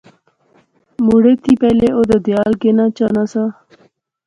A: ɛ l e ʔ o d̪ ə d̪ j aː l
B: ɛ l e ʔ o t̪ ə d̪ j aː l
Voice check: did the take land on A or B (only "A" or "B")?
A